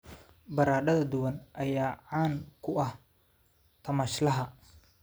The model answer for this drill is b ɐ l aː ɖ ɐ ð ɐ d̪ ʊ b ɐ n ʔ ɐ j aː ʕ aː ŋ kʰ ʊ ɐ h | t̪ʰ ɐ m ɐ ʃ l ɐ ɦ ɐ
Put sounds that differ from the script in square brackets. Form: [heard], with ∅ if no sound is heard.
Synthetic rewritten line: b ɐ [ɾ] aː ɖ ɐ ð ɐ d̪ ʊ [w] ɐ n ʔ ɐ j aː ʕ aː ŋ kʰ ʊ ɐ h | t̪ʰ ɐ m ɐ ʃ l ɐ ɦ ɐ